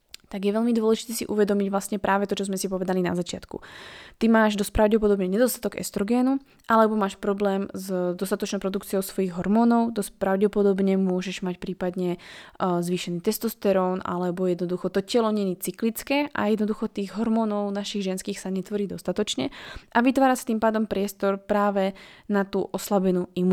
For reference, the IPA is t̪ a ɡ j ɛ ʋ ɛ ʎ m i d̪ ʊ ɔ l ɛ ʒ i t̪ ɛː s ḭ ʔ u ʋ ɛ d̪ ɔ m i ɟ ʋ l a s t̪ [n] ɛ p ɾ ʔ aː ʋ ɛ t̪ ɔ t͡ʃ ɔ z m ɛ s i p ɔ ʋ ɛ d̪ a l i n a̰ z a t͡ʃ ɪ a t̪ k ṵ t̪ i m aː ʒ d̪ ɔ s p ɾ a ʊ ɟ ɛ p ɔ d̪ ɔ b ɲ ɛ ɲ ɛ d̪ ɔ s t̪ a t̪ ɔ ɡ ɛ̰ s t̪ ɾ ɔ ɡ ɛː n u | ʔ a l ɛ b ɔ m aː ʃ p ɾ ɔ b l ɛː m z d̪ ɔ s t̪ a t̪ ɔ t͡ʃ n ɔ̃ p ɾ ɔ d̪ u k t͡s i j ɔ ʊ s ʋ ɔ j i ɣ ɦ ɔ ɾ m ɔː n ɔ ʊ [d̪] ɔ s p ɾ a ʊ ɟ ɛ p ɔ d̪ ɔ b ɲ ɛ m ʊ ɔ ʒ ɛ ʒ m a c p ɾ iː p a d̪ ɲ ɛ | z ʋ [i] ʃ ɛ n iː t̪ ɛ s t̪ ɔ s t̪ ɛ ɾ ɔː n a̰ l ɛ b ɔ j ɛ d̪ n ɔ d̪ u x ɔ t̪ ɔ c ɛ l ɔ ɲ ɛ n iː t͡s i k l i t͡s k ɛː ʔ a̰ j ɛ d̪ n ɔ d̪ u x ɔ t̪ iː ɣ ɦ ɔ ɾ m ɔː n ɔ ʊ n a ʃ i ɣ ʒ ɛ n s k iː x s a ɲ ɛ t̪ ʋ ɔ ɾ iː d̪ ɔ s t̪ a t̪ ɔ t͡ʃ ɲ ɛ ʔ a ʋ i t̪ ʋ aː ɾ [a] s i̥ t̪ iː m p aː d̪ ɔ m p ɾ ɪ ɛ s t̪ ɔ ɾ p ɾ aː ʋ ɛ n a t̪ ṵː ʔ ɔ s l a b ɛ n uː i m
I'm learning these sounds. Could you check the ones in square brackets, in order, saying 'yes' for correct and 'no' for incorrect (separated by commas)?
no, yes, no, yes